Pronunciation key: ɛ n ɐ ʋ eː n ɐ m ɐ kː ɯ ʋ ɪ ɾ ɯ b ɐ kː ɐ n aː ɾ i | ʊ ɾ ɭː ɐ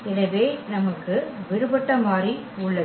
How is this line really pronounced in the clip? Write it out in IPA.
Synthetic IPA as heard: ɛ n ɐ ʋ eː n ɐ m ɐ kː ɯ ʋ ɪ ɾ ɯ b ɐ ʈː ɐ m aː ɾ i | ʊ ɭː ɐ